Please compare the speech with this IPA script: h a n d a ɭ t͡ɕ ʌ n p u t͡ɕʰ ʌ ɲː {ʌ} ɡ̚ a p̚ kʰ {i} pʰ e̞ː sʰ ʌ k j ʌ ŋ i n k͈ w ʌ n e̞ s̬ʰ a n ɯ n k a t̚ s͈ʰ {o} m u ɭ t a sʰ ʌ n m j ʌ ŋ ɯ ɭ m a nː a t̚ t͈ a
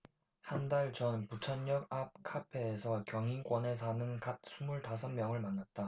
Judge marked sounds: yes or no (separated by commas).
yes, no, no